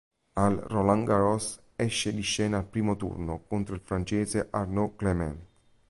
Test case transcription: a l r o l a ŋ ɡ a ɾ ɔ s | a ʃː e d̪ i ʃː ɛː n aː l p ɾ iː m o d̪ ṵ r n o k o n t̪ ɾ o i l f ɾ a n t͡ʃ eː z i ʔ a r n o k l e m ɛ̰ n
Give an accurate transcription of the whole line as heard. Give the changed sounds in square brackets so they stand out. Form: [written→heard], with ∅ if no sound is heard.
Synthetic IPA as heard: a l r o l a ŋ ɡ a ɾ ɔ s | [a→ɛ] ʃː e d̪ i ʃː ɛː n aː l p ɾ iː m o [d̪→t̪] ṵ r n o k o n t̪ ɾ o i l f ɾ a n t͡ʃ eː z [i→e] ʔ a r n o k l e m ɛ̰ n